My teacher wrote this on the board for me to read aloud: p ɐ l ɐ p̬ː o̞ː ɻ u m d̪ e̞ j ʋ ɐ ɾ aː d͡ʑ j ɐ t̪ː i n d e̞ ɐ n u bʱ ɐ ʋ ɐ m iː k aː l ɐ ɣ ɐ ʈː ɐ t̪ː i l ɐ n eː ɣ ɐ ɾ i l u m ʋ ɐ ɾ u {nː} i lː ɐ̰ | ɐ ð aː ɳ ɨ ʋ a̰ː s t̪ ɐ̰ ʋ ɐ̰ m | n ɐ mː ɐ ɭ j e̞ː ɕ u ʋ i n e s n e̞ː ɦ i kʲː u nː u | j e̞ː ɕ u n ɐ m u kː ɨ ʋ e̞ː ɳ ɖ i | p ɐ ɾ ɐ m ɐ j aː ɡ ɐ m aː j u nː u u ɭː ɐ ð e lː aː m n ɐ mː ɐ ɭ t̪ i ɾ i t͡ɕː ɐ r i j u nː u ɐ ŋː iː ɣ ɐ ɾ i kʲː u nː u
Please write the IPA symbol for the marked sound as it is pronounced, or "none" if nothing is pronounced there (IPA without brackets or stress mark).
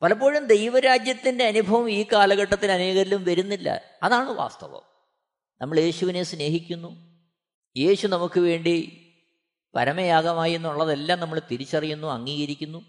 nː